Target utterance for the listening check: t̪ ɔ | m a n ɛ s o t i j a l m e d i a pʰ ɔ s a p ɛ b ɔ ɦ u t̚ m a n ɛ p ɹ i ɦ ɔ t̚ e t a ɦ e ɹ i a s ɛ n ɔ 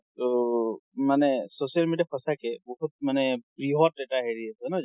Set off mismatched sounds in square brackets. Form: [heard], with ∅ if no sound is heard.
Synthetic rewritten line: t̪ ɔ | m a n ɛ s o [s] i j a l m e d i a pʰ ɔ s a [k] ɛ b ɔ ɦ u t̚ m a n ɛ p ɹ i ɦ ɔ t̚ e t a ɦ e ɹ i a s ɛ n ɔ